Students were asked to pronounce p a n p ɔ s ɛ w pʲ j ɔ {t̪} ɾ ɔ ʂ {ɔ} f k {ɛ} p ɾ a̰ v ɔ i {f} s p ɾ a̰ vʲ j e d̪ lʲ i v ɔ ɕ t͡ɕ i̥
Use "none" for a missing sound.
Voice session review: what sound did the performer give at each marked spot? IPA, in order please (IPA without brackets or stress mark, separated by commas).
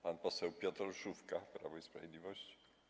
t̪, u, a, none